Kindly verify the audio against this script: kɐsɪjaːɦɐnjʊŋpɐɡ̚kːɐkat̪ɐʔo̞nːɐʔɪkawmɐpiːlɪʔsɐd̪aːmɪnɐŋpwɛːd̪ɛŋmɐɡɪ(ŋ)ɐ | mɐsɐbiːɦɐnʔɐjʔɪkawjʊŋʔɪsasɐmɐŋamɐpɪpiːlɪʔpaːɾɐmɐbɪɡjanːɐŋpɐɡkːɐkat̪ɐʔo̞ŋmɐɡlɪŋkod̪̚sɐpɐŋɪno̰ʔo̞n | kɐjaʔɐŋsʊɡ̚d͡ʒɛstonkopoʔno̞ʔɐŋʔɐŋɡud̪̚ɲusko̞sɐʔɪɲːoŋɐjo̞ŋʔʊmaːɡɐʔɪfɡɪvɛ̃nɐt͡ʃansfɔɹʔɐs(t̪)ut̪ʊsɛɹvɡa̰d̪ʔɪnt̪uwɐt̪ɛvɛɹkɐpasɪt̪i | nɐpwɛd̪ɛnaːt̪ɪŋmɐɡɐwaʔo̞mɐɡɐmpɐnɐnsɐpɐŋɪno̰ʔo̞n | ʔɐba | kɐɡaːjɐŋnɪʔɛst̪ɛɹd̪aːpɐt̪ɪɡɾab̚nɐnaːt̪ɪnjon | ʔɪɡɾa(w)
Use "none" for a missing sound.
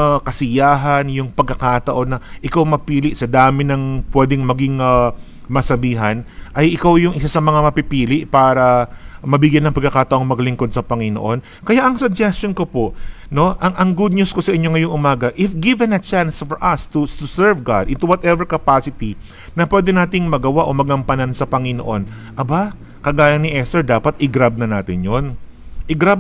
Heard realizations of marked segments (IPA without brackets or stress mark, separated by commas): ŋ, t̪, b